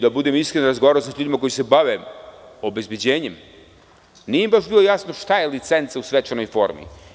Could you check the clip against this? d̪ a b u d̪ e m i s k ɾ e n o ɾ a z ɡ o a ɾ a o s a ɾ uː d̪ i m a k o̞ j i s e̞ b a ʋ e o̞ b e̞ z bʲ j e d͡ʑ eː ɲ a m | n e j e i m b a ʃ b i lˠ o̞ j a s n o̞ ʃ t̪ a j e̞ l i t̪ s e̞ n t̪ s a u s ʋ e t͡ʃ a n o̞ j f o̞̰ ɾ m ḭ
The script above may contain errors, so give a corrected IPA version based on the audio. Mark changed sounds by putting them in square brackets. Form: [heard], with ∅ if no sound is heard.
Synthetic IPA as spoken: d̪ a b u d̪ e m i s k ɾ e n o ɾ a z ɡ o a ɾ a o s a [ʎ] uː d̪ i m a k o̞ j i s e̞ b a ʋ e o̞ b e̞ z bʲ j e d͡ʑ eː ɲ [e] m | n [i] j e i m b a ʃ b i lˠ o̞ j a s n o̞ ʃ t̪ a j e̞ l i t̪ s e̞ n t̪ s a u s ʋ e t͡ʃ a n o̞ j f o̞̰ ɾ m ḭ